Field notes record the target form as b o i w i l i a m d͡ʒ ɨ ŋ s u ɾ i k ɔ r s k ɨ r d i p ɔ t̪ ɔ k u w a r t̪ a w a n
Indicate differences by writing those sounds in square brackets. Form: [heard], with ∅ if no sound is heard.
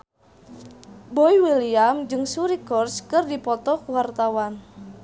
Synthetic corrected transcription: b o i w i l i a m d͡ʒ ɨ ŋ s u ɾ i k ɔ r s k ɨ r d i p ɔ t̪ ɔ k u w a r t̪ a w a n